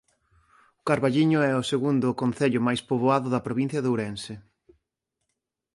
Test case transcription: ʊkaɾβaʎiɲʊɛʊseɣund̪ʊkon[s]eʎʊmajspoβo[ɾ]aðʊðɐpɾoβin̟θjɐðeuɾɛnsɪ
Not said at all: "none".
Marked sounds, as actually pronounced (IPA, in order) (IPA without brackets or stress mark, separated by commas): θ, none